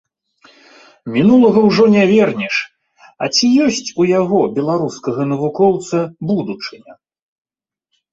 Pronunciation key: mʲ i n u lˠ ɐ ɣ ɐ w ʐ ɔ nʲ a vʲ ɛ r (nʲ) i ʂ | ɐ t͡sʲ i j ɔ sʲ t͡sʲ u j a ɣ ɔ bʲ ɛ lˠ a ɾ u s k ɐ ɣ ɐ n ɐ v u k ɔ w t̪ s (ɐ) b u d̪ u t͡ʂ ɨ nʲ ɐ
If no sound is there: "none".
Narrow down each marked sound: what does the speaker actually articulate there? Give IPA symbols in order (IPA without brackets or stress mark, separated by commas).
nʲ, ɐ